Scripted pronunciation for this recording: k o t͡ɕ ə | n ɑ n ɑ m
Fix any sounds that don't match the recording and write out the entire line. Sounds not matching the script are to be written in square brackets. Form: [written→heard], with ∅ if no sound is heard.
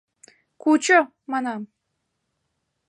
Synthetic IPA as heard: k [o→u] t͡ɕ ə | [n→m] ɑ n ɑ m